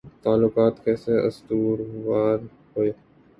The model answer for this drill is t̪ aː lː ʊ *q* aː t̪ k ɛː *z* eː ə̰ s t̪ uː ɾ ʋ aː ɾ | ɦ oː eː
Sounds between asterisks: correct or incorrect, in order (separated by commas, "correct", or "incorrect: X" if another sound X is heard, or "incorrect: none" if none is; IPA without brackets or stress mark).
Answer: incorrect: k, incorrect: s